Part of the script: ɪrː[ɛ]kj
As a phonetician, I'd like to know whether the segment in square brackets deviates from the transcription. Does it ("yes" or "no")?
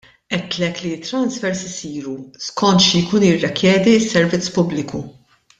no